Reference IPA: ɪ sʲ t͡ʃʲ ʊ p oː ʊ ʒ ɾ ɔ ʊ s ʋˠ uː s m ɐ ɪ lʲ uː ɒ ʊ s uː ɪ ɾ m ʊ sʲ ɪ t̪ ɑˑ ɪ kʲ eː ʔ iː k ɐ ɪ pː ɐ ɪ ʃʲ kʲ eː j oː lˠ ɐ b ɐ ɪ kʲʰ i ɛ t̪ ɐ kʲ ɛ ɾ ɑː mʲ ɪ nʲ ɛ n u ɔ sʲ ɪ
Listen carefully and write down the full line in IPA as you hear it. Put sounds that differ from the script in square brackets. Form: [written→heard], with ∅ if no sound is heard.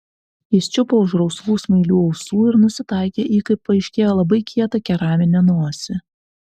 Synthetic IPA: ɪ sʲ t͡ʃʲ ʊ p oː ʊ ʒ ɾ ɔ ʊ s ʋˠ uː s m ɐ ɪ lʲ uː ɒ ʊ s uː ɪ ɾ [m→n] ʊ sʲ ɪ t̪ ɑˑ ɪ kʲ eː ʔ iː k ɐ ɪ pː ɐ ɪ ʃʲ kʲ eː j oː lˠ ɐ b ɐ ɪ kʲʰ i ɛ t̪ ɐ kʲ ɛ ɾ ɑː mʲ ɪ nʲ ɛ n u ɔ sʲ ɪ